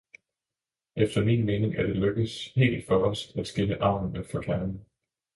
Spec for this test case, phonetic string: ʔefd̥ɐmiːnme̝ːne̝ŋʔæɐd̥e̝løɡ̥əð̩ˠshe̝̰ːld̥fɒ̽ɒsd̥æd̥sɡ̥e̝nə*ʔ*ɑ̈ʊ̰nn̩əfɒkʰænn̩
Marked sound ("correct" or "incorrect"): correct